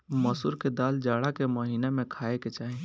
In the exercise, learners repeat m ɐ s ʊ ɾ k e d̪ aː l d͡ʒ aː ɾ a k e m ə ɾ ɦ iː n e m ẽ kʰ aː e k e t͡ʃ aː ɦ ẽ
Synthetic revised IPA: m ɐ s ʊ ɾ k e d̪ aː l d͡ʒ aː ɽ a k e m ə ɦ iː n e m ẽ kʰ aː e k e t͡ʃ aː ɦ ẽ